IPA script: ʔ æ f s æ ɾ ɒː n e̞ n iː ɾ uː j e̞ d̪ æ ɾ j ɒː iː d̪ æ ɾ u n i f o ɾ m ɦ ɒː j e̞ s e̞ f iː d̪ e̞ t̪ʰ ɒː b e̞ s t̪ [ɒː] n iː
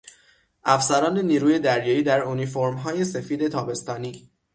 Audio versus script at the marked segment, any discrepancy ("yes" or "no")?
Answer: no